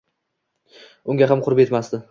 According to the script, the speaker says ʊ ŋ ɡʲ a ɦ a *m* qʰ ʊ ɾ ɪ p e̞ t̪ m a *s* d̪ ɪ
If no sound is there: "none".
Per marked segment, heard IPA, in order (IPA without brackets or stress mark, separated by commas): m, s